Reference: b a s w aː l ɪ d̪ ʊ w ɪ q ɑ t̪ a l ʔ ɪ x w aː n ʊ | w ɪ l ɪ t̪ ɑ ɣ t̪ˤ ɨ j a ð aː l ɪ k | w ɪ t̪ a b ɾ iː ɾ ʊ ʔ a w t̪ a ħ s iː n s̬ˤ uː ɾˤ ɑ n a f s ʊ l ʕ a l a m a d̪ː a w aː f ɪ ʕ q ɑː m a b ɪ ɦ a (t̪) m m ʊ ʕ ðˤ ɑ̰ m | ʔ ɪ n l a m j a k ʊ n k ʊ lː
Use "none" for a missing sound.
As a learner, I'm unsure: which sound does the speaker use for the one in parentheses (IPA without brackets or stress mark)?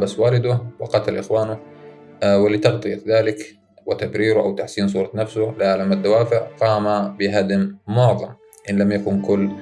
d̪